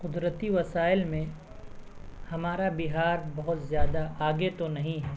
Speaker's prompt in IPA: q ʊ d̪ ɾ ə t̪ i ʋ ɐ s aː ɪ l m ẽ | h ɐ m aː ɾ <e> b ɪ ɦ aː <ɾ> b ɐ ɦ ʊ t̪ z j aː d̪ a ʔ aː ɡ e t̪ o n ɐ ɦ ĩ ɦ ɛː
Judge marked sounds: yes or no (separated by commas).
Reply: no, yes